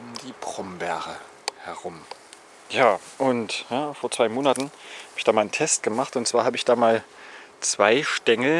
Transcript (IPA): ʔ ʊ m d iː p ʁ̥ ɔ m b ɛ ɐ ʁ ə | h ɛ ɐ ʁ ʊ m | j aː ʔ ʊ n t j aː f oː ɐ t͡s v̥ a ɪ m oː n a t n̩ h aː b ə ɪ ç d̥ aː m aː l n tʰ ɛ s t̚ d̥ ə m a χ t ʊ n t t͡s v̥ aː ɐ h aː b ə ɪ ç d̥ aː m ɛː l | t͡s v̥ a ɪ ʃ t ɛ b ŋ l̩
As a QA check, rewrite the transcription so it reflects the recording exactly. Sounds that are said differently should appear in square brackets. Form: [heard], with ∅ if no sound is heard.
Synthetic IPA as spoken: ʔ ʊ m d iː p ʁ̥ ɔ m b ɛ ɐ ʁ ə | h ɛ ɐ ʁ ʊ m | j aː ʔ ʊ n t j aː f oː ɐ t͡s v̥ a ɪ m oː n a t n̩ h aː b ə ɪ ç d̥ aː m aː l n tʰ ɛ s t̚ [ɡ̥] ə m a χ t ʊ n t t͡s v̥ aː ɐ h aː b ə ɪ ç d̥ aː m [aː] l | t͡s v̥ a ɪ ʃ t ɛ [∅] ŋ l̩